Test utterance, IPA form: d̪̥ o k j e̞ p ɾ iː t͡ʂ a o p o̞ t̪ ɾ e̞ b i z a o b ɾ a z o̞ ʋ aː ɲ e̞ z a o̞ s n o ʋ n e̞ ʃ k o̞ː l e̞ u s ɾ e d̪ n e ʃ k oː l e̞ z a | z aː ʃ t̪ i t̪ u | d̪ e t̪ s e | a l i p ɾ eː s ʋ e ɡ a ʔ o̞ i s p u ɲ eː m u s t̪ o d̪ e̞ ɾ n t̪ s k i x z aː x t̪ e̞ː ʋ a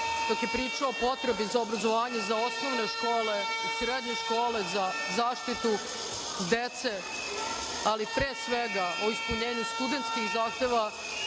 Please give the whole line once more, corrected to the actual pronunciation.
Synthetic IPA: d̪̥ o k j e̞ p ɾ iː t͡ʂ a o p o̞ t̪ ɾ e̞ b i z a o b ɾ a z o̞ ʋ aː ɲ e̞ z a o̞ s n o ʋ n e̞ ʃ k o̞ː l e̞ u s ɾ e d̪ ɲ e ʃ k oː l e̞ z a | z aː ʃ t̪ i t̪ u | d̪ e t̪ s e | a l i p ɾ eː s ʋ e ɡ a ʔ o̞ i s p u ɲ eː ɲ u s t̪ u d̪ e̞ n t̪ s k i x z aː x t̪ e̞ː ʋ a